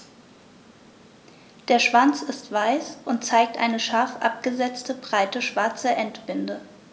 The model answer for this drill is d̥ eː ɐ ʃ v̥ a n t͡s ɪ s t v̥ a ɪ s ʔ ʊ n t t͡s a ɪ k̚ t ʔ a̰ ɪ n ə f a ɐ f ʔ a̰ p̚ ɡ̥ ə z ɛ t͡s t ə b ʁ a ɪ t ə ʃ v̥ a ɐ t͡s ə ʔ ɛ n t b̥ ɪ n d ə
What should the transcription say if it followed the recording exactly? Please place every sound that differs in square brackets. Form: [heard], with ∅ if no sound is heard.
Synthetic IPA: d̥ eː ɐ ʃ v̥ a n t͡s ɪ s t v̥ a ɪ s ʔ ʊ n t t͡s a ɪ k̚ t ʔ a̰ ɪ n ə [ʃ] a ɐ f ʔ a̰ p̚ ɡ̥ ə z ɛ t͡s t ə b ʁ a ɪ t ə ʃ v̥ a ɐ t͡s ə ʔ ɛ n t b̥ ɪ n d ə